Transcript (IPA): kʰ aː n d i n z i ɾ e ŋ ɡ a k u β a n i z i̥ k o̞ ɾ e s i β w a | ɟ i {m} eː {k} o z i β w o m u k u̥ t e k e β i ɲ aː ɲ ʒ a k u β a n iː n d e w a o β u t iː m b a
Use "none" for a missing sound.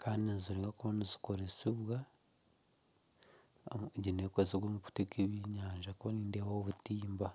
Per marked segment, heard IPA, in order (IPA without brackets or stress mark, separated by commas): n, k